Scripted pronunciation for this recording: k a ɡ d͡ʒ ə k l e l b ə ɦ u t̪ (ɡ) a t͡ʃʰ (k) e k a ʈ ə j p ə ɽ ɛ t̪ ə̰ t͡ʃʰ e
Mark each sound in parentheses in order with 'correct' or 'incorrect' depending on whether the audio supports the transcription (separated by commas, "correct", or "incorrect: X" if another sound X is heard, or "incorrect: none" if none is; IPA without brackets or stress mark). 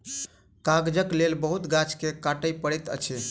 correct, correct